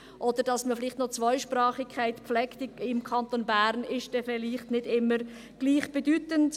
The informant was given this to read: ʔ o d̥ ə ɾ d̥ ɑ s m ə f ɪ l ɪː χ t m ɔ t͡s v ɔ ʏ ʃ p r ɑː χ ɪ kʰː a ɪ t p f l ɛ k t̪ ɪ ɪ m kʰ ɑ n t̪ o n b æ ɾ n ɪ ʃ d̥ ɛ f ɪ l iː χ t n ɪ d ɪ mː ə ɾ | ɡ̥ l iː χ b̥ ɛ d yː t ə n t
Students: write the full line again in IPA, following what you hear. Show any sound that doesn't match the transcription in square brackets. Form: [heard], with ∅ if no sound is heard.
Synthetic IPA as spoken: ʔ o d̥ ə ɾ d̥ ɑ s m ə f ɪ l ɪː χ t [n] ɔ t͡s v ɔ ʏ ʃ p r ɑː χ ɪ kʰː a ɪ t p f l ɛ k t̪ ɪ ɪ m kʰ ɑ n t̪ o n b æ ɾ n ɪ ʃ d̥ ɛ f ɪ l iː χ t n ɪ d ɪ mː ə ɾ | ɡ̥ l iː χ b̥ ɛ d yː t ə n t